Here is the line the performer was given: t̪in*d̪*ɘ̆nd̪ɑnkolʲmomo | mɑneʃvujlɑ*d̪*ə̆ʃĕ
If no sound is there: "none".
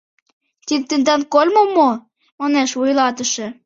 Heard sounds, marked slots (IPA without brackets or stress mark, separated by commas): t̪, t̪